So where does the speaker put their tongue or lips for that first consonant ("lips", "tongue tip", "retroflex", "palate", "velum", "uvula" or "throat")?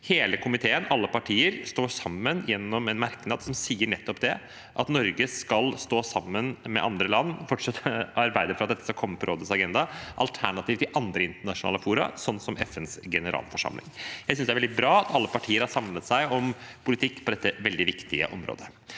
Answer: throat